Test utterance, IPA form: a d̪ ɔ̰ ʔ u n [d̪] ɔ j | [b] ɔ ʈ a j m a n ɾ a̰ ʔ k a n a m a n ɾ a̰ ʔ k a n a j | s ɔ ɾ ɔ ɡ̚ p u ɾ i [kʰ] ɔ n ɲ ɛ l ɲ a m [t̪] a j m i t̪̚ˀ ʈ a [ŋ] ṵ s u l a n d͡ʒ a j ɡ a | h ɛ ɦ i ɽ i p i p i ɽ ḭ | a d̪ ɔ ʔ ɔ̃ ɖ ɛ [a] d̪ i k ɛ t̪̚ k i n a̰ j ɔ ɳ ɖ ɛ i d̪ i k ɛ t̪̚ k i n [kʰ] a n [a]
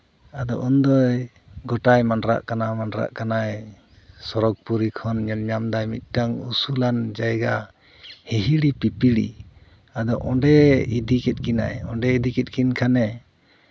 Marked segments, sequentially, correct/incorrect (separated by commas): correct, incorrect, correct, incorrect, correct, incorrect, correct, incorrect